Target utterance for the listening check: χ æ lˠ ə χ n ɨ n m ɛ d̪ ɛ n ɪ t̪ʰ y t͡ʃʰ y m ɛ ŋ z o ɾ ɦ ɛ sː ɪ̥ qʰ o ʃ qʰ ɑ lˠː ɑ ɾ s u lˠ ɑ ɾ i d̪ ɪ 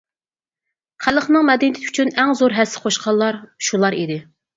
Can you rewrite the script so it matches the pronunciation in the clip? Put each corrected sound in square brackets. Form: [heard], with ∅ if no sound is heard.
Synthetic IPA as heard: χ æ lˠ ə χ n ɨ [ŋ] m ɛ d̪ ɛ n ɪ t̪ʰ y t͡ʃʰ y [n] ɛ ŋ z o ɾ ɦ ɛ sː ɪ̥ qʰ o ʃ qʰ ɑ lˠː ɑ ɾ [ʃ] u lˠ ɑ ɾ i d̪ ɪ